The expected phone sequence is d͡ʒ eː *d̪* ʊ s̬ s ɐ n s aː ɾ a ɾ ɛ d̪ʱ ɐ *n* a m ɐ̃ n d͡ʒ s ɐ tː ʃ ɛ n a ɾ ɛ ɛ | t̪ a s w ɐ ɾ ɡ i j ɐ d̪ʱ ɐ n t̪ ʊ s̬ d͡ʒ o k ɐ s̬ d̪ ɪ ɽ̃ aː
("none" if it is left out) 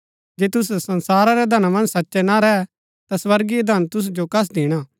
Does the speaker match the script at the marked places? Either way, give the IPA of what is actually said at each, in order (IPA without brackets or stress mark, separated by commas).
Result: t̪, n